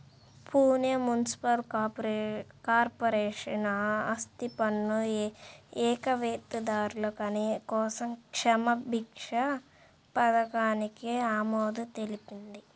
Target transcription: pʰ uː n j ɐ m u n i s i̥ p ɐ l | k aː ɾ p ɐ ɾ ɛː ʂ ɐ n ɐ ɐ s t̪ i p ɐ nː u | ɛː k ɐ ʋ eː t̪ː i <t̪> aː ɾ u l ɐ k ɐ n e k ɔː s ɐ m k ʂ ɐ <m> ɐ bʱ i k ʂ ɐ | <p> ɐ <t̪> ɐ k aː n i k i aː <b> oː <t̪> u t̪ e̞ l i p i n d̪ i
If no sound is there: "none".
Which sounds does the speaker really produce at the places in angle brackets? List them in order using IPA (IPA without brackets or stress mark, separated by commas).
d̪, m, p, d̪, m, d̪